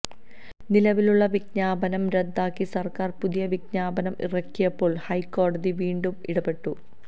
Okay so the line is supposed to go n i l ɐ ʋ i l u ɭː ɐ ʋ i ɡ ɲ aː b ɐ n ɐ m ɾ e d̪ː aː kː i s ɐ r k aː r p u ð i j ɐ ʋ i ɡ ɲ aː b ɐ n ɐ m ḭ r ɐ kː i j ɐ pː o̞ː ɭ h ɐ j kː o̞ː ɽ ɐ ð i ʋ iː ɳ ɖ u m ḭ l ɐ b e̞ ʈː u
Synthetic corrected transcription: n i l ɐ ʋ i l u ɭː ɐ ʋ i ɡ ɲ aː b ɐ n ɐ m ɾ e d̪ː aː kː i s ɐ r k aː r p u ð i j ɐ ʋ i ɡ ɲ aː b ɐ n ɐ m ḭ r ɐ kː i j ɐ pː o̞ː ɭ h ɐ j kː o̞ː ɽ ɐ ð i ʋ iː ɳ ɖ u m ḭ ɽ ɐ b e̞ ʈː u